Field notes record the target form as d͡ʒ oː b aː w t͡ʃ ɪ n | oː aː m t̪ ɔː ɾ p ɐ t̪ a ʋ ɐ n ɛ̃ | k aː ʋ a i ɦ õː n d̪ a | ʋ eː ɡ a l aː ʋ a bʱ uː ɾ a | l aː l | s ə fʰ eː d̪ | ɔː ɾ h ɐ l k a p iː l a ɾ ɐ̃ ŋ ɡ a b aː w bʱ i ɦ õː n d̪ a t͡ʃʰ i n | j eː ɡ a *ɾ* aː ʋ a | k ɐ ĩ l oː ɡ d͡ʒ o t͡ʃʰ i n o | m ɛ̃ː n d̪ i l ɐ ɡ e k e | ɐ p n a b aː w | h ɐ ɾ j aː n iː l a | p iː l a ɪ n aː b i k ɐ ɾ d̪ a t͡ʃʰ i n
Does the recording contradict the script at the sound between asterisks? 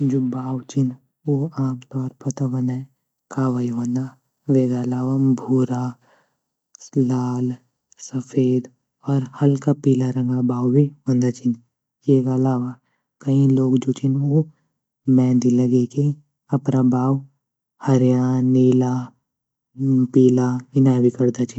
yes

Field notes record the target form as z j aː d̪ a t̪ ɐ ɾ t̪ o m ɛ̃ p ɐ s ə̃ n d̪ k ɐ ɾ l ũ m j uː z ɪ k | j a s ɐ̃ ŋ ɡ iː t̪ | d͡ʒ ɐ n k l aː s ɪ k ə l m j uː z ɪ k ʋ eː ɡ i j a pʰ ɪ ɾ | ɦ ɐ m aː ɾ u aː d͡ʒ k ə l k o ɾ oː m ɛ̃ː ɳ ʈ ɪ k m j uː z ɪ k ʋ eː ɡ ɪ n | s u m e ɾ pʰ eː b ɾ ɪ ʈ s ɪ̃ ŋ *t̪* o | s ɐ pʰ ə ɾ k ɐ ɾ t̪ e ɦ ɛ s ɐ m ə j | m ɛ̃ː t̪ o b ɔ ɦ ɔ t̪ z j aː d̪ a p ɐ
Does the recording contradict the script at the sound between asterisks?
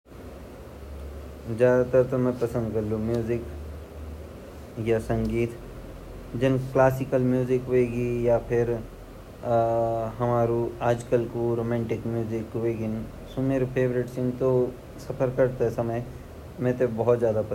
no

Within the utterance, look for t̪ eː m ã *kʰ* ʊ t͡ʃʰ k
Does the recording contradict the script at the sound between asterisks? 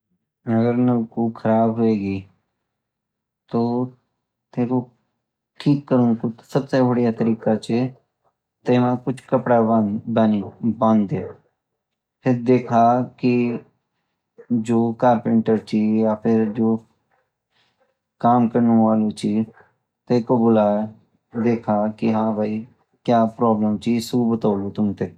yes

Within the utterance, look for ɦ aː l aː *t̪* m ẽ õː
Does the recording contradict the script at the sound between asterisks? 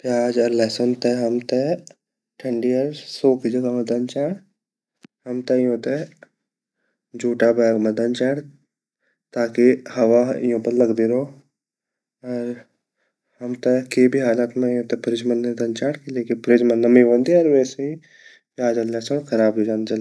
no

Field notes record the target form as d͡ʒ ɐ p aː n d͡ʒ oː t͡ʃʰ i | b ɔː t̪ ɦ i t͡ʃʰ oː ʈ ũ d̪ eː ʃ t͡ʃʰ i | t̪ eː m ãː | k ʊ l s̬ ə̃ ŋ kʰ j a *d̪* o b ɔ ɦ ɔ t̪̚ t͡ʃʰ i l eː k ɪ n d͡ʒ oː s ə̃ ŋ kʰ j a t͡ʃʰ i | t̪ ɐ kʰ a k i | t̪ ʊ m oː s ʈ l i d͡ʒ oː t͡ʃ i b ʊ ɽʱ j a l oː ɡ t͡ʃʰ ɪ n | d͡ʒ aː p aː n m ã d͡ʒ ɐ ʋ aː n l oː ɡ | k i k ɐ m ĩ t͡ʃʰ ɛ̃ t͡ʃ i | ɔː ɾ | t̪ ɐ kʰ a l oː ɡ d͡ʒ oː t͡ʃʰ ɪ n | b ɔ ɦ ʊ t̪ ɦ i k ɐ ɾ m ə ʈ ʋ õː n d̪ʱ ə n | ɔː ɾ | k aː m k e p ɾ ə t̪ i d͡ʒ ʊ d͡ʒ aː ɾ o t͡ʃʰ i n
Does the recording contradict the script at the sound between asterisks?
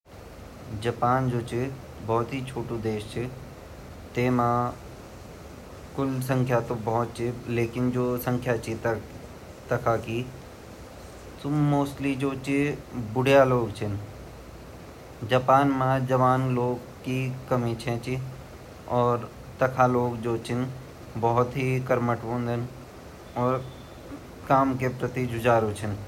yes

